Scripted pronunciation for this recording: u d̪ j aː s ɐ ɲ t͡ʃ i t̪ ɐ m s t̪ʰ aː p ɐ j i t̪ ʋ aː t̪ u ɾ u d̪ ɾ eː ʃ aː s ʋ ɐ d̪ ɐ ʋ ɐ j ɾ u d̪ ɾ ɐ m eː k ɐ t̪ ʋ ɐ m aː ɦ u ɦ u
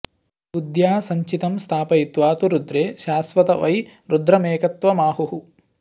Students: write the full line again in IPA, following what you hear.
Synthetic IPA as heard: u d̪ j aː s ɐ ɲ t͡ʃ i t̪ ɐ m s t̪ʰ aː p ɐ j i t̪ ʋ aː t̪ u ɾ u d̪ ɾ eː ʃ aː s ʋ ɐ t̪ ɐ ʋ ɐ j ɾ u d̪ ɾ ɐ m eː k ɐ t̪ ʋ ɐ m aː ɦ u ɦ u